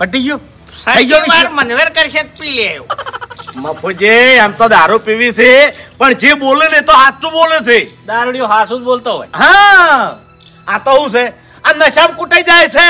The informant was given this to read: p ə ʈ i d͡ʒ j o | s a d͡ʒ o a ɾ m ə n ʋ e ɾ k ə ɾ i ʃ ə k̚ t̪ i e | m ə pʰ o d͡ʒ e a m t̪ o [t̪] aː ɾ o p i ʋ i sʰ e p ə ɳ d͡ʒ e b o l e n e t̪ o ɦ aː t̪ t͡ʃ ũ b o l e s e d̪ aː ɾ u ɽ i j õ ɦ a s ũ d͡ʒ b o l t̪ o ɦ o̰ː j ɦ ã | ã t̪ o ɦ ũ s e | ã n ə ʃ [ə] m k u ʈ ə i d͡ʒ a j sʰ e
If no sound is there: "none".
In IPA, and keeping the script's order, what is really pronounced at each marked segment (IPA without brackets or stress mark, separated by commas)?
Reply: d̪, a